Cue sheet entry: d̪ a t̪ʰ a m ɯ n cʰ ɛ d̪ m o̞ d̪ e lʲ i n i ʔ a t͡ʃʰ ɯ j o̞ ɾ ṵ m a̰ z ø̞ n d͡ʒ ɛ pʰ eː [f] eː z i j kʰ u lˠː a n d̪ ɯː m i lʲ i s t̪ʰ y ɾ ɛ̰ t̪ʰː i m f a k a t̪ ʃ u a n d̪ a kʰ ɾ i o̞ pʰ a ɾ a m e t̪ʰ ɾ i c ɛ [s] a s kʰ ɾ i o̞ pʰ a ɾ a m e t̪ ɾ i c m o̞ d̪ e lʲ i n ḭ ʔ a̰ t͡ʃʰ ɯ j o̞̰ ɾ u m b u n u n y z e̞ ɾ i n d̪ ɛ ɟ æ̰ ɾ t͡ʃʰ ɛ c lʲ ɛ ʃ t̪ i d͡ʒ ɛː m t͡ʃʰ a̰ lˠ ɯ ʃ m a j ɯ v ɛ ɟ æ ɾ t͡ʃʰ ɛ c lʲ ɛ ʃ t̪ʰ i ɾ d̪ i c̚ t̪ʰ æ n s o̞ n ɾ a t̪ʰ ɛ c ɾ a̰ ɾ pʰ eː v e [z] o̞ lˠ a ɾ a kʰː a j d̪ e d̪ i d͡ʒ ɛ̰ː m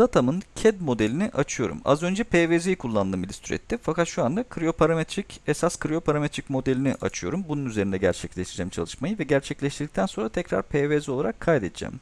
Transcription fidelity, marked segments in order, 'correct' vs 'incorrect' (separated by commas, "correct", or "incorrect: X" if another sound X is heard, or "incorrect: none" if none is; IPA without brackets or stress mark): incorrect: v, correct, correct